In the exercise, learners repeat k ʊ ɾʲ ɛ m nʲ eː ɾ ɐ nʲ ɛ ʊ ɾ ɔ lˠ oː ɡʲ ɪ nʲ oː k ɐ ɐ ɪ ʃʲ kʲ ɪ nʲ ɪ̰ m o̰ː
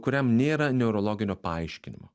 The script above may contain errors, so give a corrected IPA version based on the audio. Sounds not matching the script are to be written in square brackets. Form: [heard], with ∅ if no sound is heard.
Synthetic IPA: k ʊ ɾʲ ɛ m nʲ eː ɾ ɐ nʲ ɛ ʊ ɾ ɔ lˠ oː ɡʲ ɪ nʲ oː [p] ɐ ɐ ɪ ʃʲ kʲ ɪ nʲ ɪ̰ m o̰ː